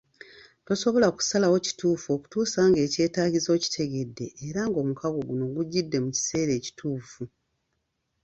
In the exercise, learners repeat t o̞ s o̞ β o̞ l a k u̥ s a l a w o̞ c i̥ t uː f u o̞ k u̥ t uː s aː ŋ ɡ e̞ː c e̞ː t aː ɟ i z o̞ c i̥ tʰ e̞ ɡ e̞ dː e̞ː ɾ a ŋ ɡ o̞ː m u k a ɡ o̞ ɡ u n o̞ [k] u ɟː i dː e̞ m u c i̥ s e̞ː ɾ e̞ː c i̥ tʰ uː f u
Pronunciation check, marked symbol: incorrect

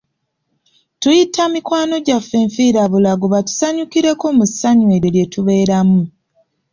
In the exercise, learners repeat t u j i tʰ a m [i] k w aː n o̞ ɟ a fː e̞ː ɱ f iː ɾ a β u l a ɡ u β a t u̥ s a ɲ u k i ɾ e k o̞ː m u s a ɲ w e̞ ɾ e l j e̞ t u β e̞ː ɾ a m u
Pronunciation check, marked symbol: correct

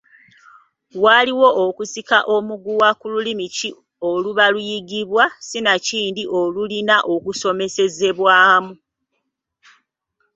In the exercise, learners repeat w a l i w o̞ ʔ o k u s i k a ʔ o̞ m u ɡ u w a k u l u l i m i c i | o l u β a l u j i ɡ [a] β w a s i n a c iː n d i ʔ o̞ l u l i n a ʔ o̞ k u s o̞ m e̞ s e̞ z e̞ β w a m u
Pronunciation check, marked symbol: incorrect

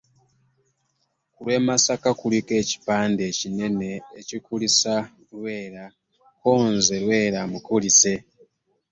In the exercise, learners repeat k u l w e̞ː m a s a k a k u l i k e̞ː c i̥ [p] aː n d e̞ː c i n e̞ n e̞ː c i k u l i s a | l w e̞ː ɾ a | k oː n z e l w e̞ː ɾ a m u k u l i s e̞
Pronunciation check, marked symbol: correct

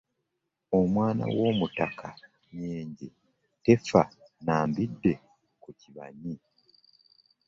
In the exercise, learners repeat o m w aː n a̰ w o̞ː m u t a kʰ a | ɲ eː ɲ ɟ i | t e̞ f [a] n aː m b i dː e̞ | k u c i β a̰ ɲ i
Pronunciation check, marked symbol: correct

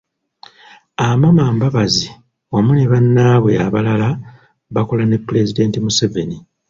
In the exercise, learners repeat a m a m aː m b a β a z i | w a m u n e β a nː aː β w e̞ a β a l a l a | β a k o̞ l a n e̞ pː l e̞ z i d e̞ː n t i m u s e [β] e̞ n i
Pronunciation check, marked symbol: incorrect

